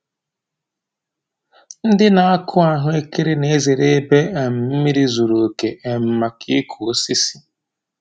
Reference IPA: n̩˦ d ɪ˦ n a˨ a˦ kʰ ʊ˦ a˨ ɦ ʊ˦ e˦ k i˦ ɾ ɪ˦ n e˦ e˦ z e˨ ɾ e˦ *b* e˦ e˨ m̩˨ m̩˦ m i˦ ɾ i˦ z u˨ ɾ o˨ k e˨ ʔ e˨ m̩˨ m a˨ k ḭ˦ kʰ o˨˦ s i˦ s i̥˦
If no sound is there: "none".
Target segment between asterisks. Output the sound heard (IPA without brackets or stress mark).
b